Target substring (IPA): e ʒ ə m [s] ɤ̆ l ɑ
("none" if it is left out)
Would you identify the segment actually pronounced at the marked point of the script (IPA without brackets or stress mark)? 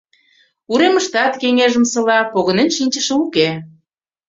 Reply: s